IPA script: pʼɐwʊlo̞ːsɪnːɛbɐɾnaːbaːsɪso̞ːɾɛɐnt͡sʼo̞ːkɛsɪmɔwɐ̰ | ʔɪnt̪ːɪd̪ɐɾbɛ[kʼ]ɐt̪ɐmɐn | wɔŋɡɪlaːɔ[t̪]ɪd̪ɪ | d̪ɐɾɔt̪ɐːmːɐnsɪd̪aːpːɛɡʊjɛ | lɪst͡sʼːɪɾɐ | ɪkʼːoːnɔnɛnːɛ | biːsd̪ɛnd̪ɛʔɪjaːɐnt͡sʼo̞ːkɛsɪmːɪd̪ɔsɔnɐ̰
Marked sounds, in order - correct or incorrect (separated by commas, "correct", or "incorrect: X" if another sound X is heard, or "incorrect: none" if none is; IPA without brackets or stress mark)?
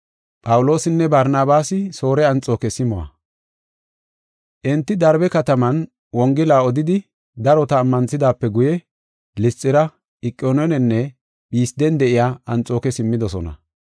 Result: incorrect: k, incorrect: d̪